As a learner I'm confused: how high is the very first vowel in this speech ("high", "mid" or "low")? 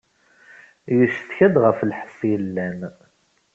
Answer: mid